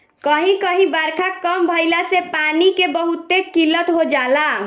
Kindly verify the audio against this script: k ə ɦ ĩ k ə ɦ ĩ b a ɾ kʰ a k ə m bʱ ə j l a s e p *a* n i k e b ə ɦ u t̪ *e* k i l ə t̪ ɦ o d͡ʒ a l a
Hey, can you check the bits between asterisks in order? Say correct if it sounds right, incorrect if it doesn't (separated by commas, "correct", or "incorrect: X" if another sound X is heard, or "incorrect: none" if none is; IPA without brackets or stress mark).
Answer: correct, correct